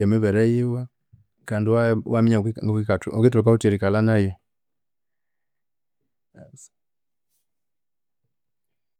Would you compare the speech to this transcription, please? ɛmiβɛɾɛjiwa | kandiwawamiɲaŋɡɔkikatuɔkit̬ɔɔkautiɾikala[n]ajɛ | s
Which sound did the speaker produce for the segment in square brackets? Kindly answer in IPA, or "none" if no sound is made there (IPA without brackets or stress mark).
n